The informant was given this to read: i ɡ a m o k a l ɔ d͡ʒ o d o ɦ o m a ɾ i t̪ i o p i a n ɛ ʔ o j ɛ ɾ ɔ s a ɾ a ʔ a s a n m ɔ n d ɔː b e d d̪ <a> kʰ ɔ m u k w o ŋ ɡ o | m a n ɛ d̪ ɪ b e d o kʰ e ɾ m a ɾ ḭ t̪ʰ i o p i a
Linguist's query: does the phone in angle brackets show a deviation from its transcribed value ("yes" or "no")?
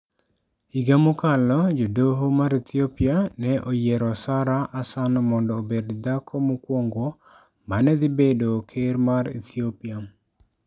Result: no